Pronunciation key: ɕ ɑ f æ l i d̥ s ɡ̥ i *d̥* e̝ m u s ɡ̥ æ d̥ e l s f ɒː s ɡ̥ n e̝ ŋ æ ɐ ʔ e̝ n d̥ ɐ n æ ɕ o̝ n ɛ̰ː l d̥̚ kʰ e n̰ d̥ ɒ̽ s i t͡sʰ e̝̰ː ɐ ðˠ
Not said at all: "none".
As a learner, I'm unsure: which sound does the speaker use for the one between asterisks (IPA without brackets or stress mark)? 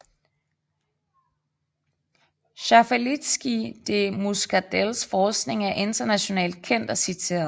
d̥